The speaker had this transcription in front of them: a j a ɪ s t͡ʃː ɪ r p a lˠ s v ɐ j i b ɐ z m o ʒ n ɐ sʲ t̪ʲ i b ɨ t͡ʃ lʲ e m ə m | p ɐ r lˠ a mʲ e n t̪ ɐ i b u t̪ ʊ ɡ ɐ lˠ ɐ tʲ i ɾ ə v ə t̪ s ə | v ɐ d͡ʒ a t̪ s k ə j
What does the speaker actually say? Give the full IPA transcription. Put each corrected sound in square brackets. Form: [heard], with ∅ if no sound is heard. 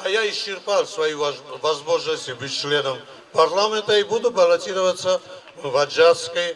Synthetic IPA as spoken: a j a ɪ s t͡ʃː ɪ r p a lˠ s v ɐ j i [v] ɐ z m o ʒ n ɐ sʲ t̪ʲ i b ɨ t͡ʃ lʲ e [n] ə m | p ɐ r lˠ a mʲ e n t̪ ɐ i b u [d̪] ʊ [b] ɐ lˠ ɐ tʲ i ɾ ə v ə t̪ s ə | v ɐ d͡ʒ a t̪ s k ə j

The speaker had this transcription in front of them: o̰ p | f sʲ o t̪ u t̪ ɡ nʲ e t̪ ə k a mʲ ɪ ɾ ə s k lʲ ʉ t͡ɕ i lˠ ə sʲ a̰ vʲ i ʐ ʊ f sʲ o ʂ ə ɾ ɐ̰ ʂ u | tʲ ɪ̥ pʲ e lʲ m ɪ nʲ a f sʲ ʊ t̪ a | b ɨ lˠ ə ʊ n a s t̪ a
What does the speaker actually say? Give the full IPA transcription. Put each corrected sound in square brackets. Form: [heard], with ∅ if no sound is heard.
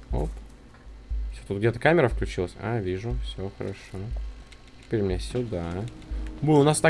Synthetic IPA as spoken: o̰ p | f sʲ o t̪ u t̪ ɡ [dʲ] e t̪ ə k a mʲ ɪ ɾ ə [f] k lʲ ʉ t͡ɕ i lˠ ə sʲ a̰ vʲ i ʐ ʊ f sʲ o [x] ə ɾ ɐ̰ ʂ [o] | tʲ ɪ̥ pʲ e [ɾʲ] m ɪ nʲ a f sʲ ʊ [d̪] a | b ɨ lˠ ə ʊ n a s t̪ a

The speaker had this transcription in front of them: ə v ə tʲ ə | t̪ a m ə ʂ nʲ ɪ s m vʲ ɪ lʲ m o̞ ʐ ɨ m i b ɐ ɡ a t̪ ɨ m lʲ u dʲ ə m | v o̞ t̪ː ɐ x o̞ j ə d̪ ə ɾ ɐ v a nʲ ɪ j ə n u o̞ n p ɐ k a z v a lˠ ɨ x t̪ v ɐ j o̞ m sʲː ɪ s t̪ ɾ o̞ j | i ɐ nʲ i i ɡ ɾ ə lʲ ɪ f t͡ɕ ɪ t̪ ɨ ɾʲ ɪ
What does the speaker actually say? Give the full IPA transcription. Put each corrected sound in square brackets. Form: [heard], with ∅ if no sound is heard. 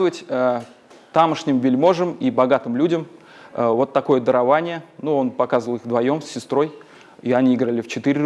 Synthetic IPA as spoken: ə v ə tʲ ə | t̪ a m ə ʂ nʲ ɪ [∅] m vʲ ɪ lʲ m o̞ ʐ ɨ m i b ɐ ɡ a t̪ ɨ m lʲ u dʲ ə m | v o̞ t̪ː ɐ [k] o̞ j ə d̪ ə ɾ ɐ v a nʲ ɪ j ə n u o̞ n p ɐ k a z v [ə] lˠ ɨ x [d̪] v ɐ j o̞ m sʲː ɪ s t̪ ɾ o̞ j | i ɐ nʲ i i ɡ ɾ ə lʲ ɪ f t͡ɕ ɪ t̪ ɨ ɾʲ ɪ

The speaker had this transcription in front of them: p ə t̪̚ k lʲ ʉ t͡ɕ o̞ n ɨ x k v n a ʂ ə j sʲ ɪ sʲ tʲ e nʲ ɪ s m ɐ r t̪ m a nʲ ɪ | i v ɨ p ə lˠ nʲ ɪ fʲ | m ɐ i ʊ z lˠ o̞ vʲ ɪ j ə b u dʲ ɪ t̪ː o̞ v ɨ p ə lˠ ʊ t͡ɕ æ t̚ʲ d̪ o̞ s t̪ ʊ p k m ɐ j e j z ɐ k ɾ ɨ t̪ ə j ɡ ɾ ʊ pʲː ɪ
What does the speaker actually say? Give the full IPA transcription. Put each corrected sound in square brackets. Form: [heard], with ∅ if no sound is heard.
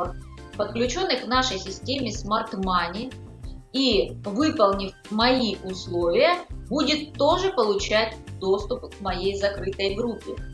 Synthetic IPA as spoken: p ə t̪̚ k lʲ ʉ t͡ɕ o̞ [nː] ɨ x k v n a ʂ ə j sʲ ɪ sʲ tʲ e [mʲ] ɪ s m ɐ r t̪ m a nʲ ɪ | i v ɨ p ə lˠ nʲ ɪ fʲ | m ɐ i ʊ [s] lˠ o̞ vʲ ɪ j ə b u dʲ ɪ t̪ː o̞ [ʐ] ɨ p ə lˠ ʊ t͡ɕ æ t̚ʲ d̪ o̞ s t̪ ʊ p k m ɐ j e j z ɐ k ɾ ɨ t̪ ə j ɡ ɾ [u] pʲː ɪ

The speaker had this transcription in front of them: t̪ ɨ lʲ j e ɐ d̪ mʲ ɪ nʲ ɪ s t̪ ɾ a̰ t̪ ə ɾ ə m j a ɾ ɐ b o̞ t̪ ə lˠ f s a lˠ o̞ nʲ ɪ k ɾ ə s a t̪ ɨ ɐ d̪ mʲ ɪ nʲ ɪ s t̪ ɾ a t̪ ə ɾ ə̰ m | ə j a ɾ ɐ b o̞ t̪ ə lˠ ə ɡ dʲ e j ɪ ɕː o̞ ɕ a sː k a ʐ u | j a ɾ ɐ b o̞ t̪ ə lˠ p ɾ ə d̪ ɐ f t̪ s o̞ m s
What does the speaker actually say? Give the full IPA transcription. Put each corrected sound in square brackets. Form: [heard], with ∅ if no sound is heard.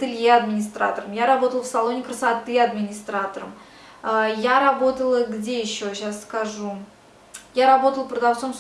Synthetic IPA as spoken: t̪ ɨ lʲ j e ɐ d̪ mʲ ɪ nʲ ɪ s t̪ ɾ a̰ t̪ ə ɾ ə m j a ɾ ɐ b o̞ t̪ ə lˠ f s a lˠ o̞ nʲ ɪ k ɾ ə s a t̪ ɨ ɐ d̪ mʲ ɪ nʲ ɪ s t̪ ɾ a t̪ ə ɾ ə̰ m | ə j a ɾ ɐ b o̞ t̪ ə lˠ ə ɡ dʲ e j ɪ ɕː o̞ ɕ a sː k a ʐ u | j a ɾ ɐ b o̞ t̪ ə lˠ p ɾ ə d̪ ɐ f t̪ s o̞ m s

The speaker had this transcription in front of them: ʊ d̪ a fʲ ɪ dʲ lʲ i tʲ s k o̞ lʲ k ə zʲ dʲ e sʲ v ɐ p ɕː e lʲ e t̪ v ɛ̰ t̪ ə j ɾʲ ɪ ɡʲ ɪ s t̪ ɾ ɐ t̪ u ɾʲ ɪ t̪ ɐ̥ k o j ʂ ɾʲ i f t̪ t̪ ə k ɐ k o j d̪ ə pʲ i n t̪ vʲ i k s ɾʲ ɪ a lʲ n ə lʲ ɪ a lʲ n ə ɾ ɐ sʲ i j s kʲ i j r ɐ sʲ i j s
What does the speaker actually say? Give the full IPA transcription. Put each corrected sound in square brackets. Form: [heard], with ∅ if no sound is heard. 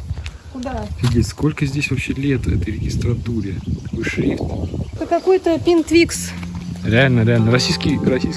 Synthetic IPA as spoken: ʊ d̪ a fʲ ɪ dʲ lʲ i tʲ s k o̞ lʲ k ə zʲ dʲ e sʲ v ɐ p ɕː e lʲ e t̪ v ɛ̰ t̪ ə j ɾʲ ɪ ɡʲ ɪ s t̪ ɾ ɐ t̪ u ɾʲ ɪ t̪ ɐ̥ k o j ʂ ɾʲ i f t̪ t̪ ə k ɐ k o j [t̪] ə pʲ i n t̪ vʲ i k s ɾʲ ɪ a lʲ n ə [ɾʲ] ɪ a lʲ n ə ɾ ɐ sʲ i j s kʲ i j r ɐ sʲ i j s

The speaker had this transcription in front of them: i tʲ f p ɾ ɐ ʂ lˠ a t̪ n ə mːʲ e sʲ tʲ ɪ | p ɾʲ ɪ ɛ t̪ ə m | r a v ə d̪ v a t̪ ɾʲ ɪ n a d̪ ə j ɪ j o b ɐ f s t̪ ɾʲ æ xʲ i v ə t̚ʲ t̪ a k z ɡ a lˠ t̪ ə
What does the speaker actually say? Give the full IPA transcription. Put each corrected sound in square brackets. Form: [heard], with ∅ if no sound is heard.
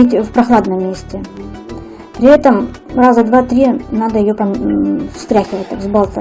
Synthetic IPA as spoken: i tʲ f p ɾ ɐ [x] lˠ a [d̪] n ə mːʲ e sʲ tʲ ɪ | p ɾʲ ɪ ɛ t̪ ə m | r a [z] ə d̪ v a t̪ ɾʲ [i] n a d̪ ə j ɪ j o [p] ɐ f s t̪ ɾʲ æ xʲ [ɪ] v ə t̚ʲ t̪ a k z [b] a lˠ t̪ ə

